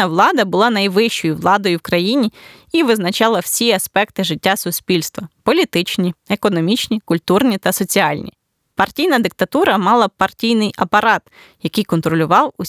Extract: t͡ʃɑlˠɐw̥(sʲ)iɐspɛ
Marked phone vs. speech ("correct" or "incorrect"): correct